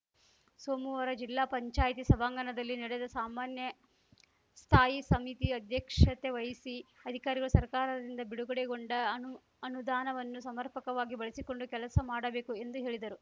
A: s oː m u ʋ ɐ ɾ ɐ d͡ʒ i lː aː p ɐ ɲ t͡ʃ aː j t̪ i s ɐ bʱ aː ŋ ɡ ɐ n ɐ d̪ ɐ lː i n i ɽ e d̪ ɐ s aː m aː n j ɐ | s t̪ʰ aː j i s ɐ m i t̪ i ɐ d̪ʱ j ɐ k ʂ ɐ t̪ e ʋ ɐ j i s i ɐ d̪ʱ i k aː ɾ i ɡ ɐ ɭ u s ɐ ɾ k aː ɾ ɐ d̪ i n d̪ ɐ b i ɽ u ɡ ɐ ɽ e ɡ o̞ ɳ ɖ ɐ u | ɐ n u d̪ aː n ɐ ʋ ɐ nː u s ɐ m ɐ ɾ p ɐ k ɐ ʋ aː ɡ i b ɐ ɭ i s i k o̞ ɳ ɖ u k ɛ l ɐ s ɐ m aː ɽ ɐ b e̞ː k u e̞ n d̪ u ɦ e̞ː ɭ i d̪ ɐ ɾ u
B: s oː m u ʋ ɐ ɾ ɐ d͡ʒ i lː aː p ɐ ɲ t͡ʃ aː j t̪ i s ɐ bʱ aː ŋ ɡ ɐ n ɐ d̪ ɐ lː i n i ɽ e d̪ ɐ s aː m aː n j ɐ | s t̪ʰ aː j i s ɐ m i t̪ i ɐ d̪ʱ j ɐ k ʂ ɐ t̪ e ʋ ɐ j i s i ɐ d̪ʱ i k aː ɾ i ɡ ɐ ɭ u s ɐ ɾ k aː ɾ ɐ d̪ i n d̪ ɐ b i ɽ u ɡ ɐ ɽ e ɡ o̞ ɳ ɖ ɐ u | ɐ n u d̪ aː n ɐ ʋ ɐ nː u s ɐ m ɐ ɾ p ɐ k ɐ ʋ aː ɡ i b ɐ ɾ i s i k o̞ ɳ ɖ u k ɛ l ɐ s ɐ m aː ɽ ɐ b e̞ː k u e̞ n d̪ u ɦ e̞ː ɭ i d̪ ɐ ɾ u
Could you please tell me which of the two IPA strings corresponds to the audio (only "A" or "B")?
A